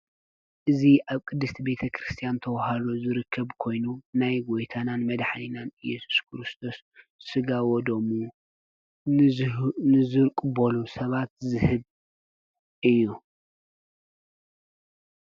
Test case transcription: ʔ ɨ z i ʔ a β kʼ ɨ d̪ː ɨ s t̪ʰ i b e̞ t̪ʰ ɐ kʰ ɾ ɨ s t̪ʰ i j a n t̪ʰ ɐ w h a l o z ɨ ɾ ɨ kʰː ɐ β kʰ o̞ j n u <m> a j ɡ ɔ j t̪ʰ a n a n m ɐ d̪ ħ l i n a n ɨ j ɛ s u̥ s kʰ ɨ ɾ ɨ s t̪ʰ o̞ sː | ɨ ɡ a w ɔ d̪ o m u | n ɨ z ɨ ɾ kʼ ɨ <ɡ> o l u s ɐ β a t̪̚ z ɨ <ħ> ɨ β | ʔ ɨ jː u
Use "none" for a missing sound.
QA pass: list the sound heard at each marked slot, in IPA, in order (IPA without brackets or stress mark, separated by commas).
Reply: n, b, h